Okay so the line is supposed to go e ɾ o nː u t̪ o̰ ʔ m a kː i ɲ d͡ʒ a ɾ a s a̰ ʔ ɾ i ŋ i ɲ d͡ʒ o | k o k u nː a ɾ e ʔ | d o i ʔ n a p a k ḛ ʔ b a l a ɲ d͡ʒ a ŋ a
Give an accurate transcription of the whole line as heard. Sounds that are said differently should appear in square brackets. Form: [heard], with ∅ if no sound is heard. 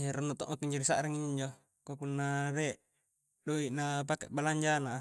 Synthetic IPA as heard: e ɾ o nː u t̪ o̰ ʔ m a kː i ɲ d͡ʒ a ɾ [i] s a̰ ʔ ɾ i ŋ i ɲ d͡ʒ o | k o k u nː a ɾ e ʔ | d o i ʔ n a p a k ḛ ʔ b a l a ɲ d͡ʒ a [n] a